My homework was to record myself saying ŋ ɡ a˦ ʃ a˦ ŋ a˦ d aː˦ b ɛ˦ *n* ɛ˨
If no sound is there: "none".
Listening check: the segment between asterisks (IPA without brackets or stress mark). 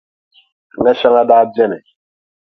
n